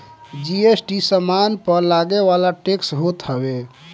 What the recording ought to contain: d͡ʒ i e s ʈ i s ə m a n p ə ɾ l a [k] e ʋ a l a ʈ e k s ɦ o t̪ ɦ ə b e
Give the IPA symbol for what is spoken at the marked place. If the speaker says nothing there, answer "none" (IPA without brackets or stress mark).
ɡ